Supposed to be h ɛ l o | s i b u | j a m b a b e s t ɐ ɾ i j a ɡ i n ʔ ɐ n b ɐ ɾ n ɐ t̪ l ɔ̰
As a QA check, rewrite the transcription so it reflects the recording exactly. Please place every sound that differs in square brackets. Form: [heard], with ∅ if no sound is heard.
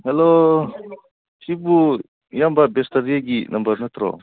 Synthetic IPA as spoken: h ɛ l o | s i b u | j a m b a b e s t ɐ ɾ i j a ɡ i n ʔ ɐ [m] b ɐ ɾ n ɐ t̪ [ɾ] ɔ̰